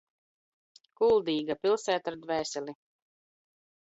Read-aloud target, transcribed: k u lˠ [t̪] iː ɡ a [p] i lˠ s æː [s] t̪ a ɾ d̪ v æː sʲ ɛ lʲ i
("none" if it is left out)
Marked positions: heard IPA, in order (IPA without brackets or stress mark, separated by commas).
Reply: d̪, p, none